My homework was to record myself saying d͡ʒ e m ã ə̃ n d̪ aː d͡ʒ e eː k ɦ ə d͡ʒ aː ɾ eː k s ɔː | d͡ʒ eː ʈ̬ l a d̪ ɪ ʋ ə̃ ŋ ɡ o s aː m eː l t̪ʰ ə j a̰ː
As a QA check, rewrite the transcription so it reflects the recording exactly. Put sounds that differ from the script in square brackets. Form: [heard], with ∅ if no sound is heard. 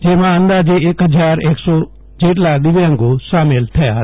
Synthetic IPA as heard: d͡ʒ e m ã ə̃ n d̪ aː d͡ʒ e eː k ɦ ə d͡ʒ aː ɾ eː k s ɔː | d͡ʒ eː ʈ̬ l a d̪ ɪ ʋ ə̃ ŋ ɡ o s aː m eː l t̪ʰ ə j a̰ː